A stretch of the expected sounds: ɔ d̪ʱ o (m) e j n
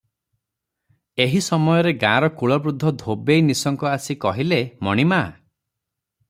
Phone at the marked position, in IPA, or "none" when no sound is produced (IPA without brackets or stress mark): b